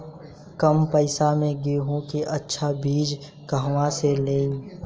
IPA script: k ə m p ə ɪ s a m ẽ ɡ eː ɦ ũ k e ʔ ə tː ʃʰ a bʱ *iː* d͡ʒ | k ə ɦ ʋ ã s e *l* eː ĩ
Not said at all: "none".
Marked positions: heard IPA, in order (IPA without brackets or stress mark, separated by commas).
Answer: iː, l